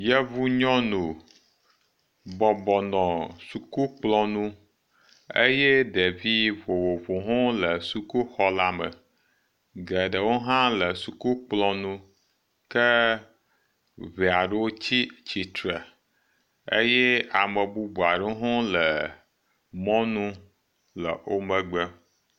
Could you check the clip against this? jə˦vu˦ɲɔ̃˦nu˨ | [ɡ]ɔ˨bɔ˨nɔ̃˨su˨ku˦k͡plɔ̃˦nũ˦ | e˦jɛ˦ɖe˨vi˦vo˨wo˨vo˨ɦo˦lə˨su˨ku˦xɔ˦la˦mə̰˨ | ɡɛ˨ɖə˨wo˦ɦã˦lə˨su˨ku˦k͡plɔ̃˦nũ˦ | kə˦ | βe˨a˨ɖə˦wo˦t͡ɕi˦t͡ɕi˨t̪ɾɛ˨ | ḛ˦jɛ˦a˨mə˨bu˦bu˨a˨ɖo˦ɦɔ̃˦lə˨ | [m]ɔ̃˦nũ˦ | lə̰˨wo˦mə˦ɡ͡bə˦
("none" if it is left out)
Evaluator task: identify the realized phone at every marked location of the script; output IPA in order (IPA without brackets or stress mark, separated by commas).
b, m